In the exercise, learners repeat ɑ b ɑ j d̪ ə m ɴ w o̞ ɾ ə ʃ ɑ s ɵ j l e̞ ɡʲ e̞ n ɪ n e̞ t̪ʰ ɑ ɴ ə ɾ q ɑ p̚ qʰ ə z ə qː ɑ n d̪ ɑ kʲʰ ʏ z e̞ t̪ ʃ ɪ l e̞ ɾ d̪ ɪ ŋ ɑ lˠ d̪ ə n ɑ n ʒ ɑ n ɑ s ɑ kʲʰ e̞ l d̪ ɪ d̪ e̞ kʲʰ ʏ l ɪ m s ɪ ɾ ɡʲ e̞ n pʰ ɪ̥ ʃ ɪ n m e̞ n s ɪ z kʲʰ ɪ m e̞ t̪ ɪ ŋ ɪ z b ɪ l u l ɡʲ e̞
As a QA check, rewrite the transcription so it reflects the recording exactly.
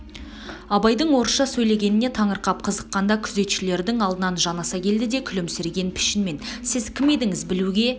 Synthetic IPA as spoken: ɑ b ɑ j d̪ ə ɴ w o̞ ɾ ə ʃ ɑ s ɵ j l e̞ ɡʲ e̞ n ɪ n e̞ t̪ʰ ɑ ɴ ə ɾ q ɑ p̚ qʰ ə z ə qː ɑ n d̪ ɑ kʲʰ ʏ z e̞ t̪ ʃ ɪ l e̞ ɾ d̪ ɪ ŋ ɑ lˠ d̪ ə n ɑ n ʒ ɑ n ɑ s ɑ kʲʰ e̞ l d̪ ɪ d̪ e̞ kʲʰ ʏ l ɪ m s ɪ ɾ ɡʲ e̞ n pʰ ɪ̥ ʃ ɪ n m e̞ n s ɪ z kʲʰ ɪ m e̞ d̪ ɪ ŋ ɪ z b ɪ l u ɡʲ e̞